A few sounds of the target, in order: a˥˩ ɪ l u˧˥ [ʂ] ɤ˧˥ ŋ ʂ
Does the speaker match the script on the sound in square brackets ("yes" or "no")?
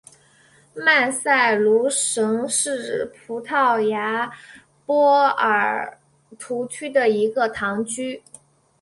yes